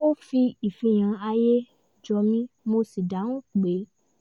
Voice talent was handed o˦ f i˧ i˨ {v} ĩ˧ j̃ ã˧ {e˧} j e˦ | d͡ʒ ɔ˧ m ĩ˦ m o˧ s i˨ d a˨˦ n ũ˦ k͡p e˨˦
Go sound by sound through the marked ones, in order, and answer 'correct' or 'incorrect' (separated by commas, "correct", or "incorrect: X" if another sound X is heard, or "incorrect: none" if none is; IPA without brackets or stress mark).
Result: incorrect: f, incorrect: a˧